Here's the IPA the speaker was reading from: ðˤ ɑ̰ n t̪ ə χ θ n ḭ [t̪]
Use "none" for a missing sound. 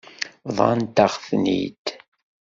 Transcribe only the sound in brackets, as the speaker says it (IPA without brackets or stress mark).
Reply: t̪